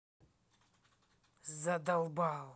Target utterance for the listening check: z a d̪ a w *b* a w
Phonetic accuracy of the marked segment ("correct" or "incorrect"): correct